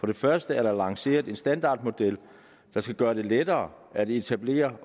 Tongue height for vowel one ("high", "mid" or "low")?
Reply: low